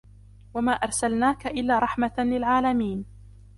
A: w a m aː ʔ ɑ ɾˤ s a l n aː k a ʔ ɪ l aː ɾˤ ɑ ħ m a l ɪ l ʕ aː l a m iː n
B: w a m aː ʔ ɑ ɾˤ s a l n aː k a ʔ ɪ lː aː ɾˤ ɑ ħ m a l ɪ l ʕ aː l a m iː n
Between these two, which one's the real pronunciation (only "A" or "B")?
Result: B